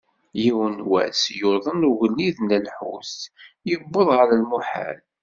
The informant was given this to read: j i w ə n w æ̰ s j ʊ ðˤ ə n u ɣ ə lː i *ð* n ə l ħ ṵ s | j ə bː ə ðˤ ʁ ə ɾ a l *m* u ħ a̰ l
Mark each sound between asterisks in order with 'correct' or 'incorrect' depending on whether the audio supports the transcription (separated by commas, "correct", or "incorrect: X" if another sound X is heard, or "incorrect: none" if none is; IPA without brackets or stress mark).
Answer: correct, correct